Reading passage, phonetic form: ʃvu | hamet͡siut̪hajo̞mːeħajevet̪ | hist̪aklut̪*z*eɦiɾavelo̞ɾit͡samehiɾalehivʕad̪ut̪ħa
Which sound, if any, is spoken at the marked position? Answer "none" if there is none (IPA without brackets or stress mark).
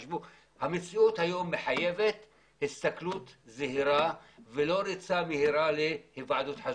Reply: z